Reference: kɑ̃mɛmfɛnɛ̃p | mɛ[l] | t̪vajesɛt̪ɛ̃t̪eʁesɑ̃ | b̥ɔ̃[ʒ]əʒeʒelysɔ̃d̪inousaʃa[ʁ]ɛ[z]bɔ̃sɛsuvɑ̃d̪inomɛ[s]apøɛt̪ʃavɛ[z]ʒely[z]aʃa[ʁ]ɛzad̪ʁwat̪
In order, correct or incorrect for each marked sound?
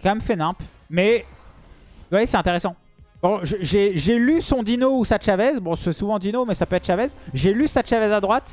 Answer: incorrect, correct, incorrect, correct, correct, correct, incorrect, incorrect

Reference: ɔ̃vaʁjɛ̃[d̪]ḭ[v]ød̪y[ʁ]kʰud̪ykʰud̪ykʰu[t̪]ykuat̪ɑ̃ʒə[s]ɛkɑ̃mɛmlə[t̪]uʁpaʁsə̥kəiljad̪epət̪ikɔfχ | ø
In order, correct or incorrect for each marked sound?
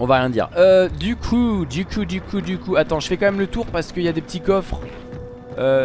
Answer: correct, incorrect, incorrect, incorrect, incorrect, correct

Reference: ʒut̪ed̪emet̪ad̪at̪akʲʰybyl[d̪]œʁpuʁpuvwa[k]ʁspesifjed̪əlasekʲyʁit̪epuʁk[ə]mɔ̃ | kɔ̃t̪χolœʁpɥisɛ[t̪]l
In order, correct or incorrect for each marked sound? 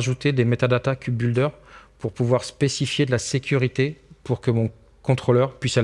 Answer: correct, incorrect, correct, incorrect

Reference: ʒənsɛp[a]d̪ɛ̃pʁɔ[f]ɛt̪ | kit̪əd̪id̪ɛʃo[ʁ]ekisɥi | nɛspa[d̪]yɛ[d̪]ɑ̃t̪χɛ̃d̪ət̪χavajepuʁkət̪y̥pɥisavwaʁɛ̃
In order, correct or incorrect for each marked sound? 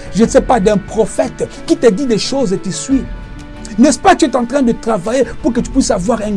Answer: correct, correct, incorrect, incorrect, incorrect

